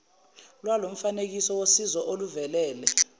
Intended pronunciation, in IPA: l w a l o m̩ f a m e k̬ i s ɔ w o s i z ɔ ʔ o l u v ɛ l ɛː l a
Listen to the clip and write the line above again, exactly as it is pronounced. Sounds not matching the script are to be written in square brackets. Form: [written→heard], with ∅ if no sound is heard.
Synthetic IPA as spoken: l w a l o m̩ f a [m→n] e k̬ i s ɔ w o s i z ɔ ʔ o l u v ɛ l ɛː l [a→ɛ]